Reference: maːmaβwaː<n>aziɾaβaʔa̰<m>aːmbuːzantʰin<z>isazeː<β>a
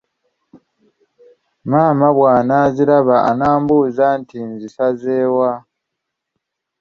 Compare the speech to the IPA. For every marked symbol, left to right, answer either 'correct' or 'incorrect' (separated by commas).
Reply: correct, incorrect, correct, incorrect